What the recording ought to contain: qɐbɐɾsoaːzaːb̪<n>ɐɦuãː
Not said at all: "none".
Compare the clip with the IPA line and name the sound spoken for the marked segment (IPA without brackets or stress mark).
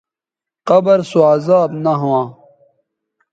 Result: n